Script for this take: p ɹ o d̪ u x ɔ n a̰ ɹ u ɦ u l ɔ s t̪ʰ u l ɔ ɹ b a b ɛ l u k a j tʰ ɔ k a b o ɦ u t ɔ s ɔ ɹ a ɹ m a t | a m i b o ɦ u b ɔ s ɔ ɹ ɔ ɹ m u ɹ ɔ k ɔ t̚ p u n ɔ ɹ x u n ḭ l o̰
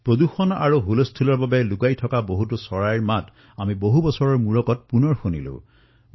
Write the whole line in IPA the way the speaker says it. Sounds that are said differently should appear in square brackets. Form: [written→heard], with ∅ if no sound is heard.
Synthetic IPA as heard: p ɹ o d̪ u x ɔ n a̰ ɹ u ɦ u l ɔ s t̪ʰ u l ɔ ɹ b a b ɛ l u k a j tʰ ɔ k a b o ɦ u t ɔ s ɔ ɹ a ɹ m a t | a m i b o ɦ u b ɔ s ɔ ɹ ɔ ɹ m u ɹ ɔ k ɔ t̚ p u n ɔ ɹ x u n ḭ l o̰